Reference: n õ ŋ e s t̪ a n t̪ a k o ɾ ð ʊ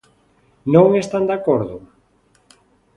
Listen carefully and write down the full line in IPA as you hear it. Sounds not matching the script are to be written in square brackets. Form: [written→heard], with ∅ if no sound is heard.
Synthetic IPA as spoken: n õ ŋ e s t̪ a n [t̪→d̪] a k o ɾ ð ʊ